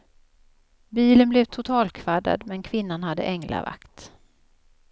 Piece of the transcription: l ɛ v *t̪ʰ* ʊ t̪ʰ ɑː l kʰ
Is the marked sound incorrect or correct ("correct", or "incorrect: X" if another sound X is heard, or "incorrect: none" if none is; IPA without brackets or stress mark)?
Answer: correct